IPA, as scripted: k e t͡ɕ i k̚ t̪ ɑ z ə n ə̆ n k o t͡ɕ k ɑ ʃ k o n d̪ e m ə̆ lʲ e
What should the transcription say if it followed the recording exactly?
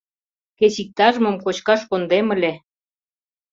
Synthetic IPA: k e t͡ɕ i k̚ t̪ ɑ ʒ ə m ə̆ m k o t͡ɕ k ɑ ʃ k o n d̪ e m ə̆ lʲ e